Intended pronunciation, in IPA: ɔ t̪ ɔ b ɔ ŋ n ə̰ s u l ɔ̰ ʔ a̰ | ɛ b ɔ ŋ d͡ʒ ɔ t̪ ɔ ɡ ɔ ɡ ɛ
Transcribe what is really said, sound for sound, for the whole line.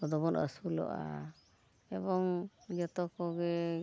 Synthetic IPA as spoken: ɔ d̪ ɔ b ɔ n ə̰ s u l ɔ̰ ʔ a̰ | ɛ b ɔ ŋ d͡ʒ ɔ t̪ ɔ k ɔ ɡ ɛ

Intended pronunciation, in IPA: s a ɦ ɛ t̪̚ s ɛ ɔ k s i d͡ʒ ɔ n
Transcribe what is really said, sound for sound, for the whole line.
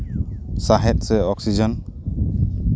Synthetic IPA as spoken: s a ɦ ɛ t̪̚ s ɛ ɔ k s i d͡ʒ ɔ n

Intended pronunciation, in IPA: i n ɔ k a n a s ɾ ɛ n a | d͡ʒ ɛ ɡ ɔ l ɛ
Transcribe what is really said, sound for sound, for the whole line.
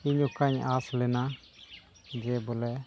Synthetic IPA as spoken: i ɲ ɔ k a ɲ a s l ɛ n a | d͡ʒ ɛ b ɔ l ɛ

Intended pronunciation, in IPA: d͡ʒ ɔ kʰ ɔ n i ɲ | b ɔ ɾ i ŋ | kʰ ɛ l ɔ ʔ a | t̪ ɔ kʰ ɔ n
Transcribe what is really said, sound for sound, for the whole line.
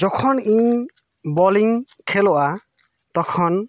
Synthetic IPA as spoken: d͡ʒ ɔ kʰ ɔ n i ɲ | b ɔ l i ŋ | kʰ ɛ l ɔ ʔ a | t̪ ɔ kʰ ɔ n

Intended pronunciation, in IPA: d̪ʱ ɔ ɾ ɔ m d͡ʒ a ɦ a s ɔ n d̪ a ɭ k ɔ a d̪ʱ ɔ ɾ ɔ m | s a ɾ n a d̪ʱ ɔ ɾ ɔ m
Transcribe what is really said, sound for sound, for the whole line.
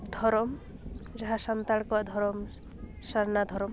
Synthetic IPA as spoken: d̪ʱ ɔ ɾ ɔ m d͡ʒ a ɦ a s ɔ n t̪ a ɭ k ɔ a d̪ʱ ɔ ɾ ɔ m | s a ɾ n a d̪ʱ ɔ ɾ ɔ m

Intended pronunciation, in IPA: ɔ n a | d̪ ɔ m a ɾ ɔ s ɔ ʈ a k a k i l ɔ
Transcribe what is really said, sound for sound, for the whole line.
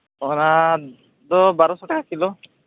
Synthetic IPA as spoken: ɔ n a | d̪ ɔ b a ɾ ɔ s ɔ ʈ a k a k i l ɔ

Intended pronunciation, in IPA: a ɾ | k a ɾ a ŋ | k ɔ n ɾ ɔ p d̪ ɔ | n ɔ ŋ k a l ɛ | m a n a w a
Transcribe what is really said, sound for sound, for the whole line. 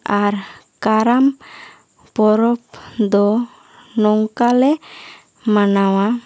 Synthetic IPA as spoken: a ɾ | k a ɾ a m | p ɔ ɾ ɔ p d̪ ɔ | n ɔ ŋ k a l ɛ | m a n a w a

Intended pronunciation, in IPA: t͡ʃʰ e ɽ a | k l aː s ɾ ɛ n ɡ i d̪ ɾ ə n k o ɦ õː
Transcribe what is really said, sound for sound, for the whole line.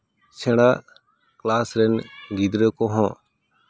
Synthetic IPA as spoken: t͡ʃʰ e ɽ a | k l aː s ɾ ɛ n ɡ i d̪ ɾ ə k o ɦ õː

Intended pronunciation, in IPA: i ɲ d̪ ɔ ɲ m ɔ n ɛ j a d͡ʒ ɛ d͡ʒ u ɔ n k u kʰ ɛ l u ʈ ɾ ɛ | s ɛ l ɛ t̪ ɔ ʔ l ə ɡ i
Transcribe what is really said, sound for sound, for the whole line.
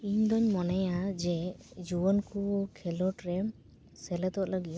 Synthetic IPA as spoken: i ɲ d̪ ɔ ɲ m ɔ n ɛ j a d͡ʒ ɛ d͡ʒ u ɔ n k u kʰ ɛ l ɔ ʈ ɾ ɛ | s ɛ l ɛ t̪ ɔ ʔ l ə ɡ i

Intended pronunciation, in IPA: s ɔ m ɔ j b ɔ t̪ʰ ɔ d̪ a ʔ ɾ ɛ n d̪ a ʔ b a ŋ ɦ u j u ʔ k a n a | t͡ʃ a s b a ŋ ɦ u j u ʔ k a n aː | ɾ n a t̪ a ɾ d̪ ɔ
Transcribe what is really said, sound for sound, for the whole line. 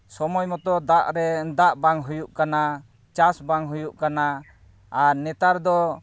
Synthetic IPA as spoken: s ɔ m ɔ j m ɔ t̪ ɔ d̪ a ʔ ɾ ɛ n d̪ a ʔ b a ŋ ɦ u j u ʔ k a n a | t͡ʃ a s b a ŋ ɦ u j u ʔ k a n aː | ɾ n ɛ t̪ a ɾ d̪ ɔ

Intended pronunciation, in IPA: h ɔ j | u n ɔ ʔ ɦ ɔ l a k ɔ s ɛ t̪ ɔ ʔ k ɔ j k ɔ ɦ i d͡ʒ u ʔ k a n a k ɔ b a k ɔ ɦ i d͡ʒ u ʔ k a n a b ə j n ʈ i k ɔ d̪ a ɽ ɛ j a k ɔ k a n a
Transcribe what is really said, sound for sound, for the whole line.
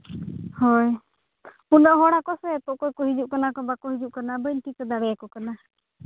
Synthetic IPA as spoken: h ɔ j | u n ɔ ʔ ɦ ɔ ɽ a k ɔ s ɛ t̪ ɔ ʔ k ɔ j k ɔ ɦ i d͡ʒ u ʔ k a n a k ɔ b a k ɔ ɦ i d͡ʒ u ʔ k a n a b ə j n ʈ i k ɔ d̪ a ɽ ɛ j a k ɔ k a n a

